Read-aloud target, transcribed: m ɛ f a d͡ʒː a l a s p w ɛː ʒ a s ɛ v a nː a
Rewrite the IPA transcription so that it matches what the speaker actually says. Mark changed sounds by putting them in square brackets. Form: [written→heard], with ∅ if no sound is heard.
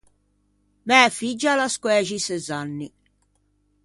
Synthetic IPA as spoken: m ɛ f [a→i] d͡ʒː a l a s [p→k] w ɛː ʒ [a→i] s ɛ [v→z] a nː [a→i]

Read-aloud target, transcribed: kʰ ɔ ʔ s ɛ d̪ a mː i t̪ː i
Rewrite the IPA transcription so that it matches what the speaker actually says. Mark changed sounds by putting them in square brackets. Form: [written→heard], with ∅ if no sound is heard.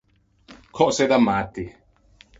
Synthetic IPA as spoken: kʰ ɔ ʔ s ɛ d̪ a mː [i→a] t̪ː i

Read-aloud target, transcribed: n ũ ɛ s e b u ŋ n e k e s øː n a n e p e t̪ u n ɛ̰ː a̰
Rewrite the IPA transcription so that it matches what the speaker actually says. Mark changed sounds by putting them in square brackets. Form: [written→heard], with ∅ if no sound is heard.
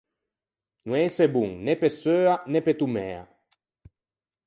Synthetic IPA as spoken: n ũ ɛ s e b u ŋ n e [k→p] e s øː [n→∅] a n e p e t̪ u [n→m] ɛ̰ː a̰

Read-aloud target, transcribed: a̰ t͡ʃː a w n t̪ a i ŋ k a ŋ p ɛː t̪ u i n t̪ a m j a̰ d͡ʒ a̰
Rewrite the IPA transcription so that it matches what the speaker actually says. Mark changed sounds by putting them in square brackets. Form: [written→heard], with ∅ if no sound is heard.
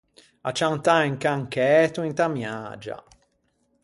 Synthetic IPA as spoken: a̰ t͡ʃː a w n t̪ a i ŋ k a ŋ [p→k] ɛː t̪ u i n t̪ a m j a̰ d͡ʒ a̰

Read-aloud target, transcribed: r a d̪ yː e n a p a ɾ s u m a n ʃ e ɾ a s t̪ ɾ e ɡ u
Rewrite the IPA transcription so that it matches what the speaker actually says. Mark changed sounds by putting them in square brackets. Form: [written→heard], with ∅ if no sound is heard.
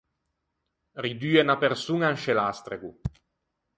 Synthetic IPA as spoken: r [a→i] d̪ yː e n a p [a→e] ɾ s u [m→ŋ] a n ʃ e [ɾ→l] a s t̪ ɾ e ɡ u

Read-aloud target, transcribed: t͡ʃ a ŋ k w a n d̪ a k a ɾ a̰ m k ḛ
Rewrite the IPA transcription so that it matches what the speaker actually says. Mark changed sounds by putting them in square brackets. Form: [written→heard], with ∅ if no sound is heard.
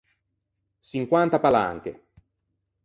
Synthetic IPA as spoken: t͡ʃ [a→i] ŋ k w a n [d̪→t̪] a [k→p] a [ɾ→l] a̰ [m→ŋ] k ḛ

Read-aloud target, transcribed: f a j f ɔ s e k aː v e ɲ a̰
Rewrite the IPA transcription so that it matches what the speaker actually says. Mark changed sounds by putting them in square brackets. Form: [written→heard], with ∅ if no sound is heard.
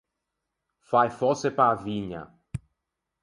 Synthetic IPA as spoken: f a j f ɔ s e [k→p] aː v [e→i] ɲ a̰

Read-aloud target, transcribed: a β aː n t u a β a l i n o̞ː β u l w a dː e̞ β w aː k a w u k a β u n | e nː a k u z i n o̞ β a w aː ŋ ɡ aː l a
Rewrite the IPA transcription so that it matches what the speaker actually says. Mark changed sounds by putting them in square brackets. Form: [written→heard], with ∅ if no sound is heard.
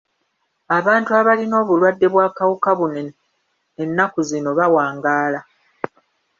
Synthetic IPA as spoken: a β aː n t u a β a l i n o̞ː β u l w a dː e̞ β w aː k a w u k a β u n | e nː a k u z i n o̞ β a w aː ŋ ɡ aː l a

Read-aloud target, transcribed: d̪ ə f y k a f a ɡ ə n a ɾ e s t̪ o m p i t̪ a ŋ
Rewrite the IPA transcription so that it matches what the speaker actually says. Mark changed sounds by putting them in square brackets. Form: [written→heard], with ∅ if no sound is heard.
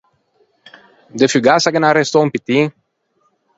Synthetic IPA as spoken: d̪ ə f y [k→ɡ] a [f→s] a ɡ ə n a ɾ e s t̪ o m p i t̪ [a→i] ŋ

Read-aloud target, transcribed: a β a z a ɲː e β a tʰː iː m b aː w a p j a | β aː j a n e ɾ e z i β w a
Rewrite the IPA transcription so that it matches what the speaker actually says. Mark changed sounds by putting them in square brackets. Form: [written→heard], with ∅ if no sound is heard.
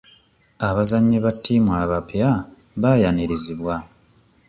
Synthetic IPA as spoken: a β a z a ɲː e β a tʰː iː m [b→w] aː [w→β] a p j a | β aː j a n e ɾ e z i β w a

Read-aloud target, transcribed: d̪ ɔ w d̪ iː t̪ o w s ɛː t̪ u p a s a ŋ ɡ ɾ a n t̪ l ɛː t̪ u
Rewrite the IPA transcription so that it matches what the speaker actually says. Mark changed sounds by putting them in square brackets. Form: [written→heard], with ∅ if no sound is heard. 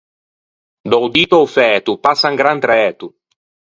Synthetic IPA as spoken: d̪ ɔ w d̪ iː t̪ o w [s→f] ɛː t̪ u p a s a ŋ ɡ ɾ a n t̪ [l→ɾ] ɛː t̪ u

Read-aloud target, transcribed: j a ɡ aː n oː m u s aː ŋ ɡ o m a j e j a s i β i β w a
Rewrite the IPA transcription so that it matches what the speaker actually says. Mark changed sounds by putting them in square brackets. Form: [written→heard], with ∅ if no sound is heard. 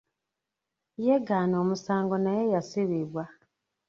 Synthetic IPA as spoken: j [a→e] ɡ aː n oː m u s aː ŋ ɡ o [m→n] a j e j a s i β i β w a

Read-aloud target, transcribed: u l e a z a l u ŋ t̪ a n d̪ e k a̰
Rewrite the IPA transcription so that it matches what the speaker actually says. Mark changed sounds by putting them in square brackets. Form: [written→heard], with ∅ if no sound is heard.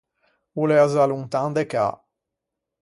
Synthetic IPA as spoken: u l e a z a l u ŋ t̪ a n d̪ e k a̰

